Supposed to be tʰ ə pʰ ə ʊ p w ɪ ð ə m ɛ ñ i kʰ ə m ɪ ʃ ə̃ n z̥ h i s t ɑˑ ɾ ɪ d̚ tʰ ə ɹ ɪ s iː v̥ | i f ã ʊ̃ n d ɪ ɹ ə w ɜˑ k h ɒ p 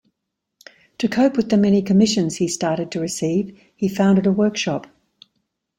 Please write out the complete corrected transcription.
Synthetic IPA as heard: tʰ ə kʰ ə ʊ p w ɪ ð ə m ɛ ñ i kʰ ə m ɪ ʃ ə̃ n z̥ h i s t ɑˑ ɾ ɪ d̚ tʰ ə ɹ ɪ s iː v̥ | i f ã ʊ̃ n d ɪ ɾ ə w ɜˑ k ʃ ɒ p